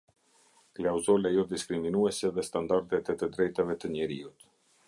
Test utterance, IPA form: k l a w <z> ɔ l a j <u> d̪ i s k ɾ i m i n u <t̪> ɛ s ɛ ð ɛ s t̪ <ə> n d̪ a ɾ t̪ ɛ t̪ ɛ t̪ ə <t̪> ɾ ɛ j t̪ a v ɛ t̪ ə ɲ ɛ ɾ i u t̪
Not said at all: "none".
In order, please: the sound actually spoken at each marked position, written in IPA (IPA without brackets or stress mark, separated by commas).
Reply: z, ɔ, none, a, d̪